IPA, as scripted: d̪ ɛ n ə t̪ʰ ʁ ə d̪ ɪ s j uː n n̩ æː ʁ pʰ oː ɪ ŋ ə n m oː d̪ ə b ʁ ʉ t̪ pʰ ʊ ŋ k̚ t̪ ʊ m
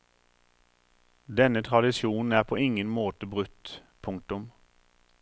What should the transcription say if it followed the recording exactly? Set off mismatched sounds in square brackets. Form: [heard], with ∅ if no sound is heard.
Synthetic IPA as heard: d̪ ɛ n ə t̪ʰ ʁ [ɑ] d̪ ɪ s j uː n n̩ æː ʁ pʰ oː ɪ ŋ ə n m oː [t̪] ə b ʁ ʉ t̪ pʰ ʊ ŋ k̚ t̪ ʊ m